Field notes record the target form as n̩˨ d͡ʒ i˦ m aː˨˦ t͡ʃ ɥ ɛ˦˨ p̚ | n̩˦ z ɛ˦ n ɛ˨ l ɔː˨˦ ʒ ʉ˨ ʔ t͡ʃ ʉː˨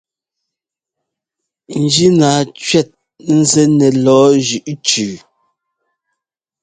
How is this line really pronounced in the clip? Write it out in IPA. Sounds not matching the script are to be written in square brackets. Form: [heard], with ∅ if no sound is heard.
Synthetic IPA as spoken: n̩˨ d͡ʒ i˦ [n] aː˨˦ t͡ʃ ɥ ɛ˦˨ [t̚] | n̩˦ z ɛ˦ n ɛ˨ l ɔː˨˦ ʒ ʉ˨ ʔ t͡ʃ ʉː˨